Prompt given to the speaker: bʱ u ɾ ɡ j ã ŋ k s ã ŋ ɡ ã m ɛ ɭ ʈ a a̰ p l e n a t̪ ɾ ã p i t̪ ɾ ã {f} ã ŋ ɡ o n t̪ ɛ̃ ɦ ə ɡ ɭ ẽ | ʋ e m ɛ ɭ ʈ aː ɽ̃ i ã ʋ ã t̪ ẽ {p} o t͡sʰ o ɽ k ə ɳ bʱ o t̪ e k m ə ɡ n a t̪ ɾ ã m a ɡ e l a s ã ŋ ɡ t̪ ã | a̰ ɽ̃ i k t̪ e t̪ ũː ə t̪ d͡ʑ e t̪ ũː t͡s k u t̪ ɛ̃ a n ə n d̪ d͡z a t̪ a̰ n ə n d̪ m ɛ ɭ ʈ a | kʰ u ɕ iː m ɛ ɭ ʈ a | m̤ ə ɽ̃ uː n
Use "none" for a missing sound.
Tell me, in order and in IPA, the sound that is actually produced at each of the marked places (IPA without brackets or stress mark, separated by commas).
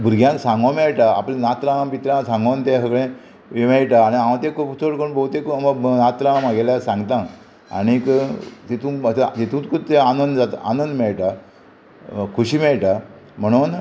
s, k